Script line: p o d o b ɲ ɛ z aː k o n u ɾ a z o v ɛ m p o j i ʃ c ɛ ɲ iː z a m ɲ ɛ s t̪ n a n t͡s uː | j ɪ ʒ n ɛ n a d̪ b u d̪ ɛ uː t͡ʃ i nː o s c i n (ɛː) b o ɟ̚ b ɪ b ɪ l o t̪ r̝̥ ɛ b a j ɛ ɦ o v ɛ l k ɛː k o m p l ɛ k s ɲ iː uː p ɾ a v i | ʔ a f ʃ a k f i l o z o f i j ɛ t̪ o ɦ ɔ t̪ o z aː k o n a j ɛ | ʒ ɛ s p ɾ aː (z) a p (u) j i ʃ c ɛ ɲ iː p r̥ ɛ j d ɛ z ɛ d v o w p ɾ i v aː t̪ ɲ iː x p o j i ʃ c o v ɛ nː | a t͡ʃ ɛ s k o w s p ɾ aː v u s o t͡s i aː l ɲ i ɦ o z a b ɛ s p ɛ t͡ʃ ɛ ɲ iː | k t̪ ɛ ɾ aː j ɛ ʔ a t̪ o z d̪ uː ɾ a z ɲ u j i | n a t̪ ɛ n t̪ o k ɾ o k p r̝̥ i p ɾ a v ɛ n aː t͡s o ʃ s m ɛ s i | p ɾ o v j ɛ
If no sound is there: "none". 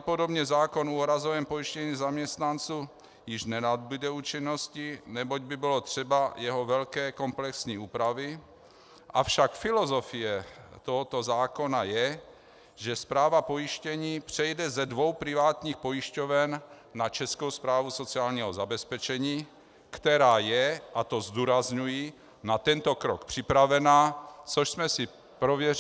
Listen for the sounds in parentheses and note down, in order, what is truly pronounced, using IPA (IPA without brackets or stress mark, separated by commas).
ɛ, v, o